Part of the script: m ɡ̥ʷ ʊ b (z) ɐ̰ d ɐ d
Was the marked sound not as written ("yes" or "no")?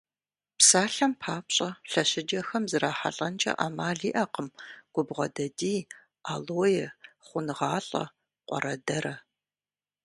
yes